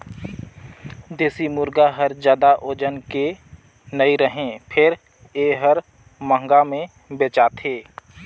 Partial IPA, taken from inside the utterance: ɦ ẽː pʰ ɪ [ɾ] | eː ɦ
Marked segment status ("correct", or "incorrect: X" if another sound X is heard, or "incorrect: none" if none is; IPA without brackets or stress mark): correct